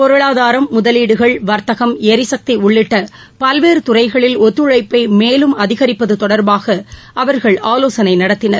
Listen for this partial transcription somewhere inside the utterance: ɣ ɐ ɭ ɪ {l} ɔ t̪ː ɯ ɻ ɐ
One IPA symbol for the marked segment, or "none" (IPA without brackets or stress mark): l